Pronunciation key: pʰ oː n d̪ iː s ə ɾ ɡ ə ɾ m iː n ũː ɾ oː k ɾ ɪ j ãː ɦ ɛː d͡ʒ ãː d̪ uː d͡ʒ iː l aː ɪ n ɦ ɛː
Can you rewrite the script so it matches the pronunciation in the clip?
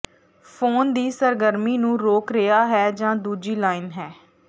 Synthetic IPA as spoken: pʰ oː n d̪ iː s ə ɾ ɡ ə ɾ m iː n ũː ɾ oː k ɾ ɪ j aː ɦ ɛː d͡ʒ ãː d̪ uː d͡ʒ iː l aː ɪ n ɦ ɛː